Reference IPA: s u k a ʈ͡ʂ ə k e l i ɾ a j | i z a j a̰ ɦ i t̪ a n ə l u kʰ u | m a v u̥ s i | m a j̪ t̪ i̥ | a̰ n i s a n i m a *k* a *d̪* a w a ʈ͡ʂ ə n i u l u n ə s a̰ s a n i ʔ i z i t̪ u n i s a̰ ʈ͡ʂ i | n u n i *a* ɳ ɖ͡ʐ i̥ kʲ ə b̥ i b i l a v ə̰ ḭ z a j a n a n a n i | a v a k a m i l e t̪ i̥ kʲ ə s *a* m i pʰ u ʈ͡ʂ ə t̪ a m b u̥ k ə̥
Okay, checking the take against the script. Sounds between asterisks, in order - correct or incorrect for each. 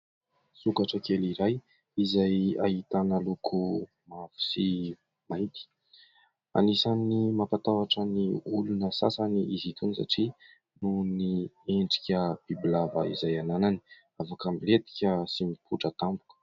incorrect: p, incorrect: t̪, incorrect: e, incorrect: i

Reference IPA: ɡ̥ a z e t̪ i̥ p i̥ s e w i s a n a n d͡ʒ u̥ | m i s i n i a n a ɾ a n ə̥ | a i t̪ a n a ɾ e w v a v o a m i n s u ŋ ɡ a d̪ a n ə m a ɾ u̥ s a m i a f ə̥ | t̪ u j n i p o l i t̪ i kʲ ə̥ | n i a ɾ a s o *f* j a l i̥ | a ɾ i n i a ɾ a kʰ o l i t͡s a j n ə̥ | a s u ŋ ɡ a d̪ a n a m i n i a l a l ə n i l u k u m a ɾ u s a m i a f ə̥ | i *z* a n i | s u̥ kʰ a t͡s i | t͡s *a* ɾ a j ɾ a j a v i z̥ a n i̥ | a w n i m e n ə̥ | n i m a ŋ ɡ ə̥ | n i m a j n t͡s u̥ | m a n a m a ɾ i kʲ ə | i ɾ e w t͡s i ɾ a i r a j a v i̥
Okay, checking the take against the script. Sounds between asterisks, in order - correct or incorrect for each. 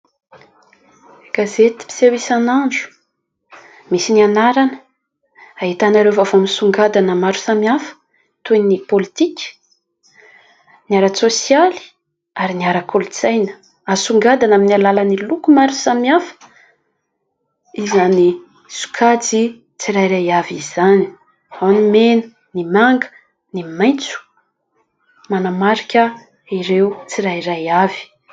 incorrect: s, correct, incorrect: i

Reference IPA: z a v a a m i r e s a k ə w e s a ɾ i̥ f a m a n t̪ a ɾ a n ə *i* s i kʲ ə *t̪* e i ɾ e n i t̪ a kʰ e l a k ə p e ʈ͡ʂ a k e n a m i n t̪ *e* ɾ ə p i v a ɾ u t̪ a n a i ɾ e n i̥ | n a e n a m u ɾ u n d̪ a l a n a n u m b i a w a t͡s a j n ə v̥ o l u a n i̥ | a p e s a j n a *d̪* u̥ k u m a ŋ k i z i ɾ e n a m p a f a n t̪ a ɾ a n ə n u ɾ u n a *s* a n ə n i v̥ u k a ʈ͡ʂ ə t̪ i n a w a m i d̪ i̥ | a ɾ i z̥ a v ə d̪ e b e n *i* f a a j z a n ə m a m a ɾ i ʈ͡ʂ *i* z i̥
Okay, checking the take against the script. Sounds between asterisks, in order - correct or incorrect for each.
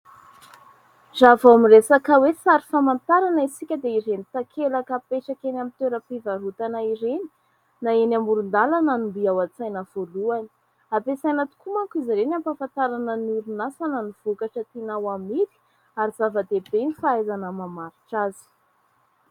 correct, incorrect: d̪, correct, incorrect: t̪, correct, correct, incorrect: a

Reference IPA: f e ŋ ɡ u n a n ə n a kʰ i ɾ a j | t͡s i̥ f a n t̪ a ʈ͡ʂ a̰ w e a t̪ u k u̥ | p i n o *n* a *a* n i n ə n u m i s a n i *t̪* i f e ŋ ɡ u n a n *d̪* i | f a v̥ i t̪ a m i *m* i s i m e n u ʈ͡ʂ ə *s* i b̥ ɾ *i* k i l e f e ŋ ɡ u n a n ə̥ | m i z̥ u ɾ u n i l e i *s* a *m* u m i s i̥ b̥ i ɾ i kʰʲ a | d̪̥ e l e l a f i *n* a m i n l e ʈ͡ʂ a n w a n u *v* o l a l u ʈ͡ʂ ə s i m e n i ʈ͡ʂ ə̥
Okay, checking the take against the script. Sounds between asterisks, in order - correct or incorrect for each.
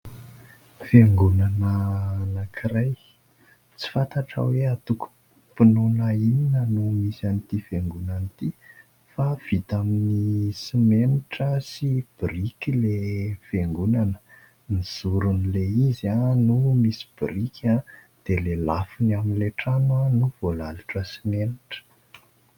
correct, incorrect: i, correct, incorrect: t̪, incorrect: n, correct, correct, incorrect: z, incorrect: n, correct, correct

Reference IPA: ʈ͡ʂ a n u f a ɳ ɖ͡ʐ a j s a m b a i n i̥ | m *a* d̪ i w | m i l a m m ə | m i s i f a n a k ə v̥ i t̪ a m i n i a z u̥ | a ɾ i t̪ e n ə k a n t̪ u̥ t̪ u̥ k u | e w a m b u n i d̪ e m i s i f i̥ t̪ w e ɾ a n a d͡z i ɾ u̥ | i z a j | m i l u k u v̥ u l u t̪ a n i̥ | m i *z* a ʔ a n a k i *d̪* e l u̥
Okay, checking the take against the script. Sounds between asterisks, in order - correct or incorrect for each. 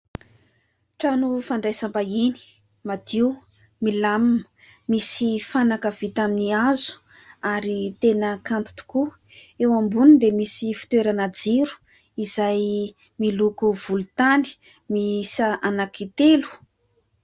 correct, incorrect: s, incorrect: t̪

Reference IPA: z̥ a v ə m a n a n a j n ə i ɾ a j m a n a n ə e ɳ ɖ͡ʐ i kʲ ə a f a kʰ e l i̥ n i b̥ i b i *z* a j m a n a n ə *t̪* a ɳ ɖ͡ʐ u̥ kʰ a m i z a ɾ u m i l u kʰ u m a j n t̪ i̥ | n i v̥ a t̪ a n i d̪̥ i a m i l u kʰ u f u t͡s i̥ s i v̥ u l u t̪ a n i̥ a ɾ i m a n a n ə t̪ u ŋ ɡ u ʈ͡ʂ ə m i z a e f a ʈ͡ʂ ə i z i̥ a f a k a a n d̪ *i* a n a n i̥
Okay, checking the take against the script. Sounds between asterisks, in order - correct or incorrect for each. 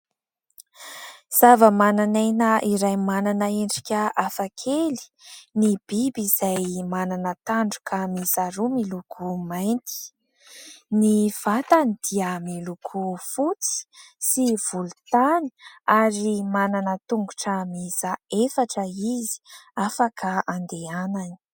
correct, correct, incorrect: e

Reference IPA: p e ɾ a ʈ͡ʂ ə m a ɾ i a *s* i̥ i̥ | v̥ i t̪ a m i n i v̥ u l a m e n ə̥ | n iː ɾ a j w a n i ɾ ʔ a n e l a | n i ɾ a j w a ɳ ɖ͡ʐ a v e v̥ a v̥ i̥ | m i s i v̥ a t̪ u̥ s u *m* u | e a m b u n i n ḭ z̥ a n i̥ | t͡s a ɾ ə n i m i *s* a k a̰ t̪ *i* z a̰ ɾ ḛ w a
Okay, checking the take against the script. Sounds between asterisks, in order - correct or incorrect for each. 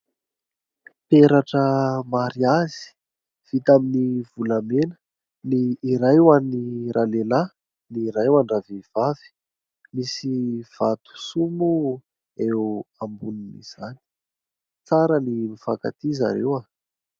incorrect: z, correct, incorrect: f, correct

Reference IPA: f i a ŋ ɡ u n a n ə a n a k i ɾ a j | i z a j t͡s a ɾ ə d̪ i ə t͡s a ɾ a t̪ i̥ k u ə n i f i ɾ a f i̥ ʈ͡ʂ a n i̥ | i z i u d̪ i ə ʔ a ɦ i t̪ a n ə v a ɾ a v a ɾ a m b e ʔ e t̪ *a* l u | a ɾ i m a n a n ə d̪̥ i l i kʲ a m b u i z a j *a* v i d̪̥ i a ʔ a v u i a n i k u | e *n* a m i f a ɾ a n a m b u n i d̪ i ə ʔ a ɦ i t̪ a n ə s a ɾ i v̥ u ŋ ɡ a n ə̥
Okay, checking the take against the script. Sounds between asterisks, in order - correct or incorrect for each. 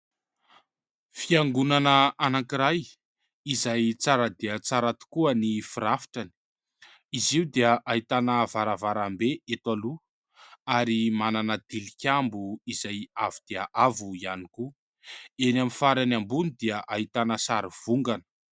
correct, correct, correct

